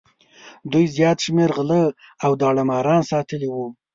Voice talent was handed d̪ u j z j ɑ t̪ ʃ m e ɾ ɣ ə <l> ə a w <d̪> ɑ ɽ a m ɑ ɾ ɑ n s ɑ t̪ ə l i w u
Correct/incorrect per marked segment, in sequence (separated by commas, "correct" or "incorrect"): correct, correct